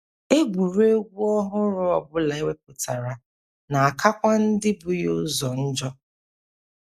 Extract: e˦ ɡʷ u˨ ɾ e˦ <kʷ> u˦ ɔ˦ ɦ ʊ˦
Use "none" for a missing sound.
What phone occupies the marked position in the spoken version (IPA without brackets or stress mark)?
ɡʷ